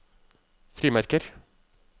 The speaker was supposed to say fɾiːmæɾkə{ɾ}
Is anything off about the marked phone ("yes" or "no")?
no